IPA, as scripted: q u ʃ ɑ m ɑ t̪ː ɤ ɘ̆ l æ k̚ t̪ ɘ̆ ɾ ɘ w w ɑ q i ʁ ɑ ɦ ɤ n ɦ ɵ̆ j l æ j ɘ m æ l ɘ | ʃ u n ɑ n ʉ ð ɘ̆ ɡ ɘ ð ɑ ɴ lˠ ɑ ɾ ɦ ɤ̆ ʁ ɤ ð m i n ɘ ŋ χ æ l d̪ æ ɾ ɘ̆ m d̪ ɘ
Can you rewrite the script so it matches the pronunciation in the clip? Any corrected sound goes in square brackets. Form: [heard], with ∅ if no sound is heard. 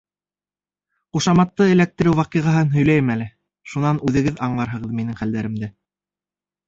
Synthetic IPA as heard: q u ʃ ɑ m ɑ t̪ː ɤ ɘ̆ l æ k̚ t̪ ɘ̆ ɾ ɘ w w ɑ q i ʁ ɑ ɦ ɤ n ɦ ɵ̆ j l æ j ɘ m æ l ɘ | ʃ u n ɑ n ʉ ð ɘ̆ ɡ ɘ ð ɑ ɴ lˠ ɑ ɾ ɦ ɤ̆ ʁ ɤ ð m i n ɘ ŋ χ æ l d̪ æ ɾ ɘ̆ m d̪ ɘ